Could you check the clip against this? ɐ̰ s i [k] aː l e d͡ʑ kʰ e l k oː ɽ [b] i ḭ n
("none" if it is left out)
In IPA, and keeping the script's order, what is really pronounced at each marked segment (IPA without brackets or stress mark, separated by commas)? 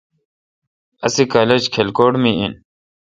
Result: k, m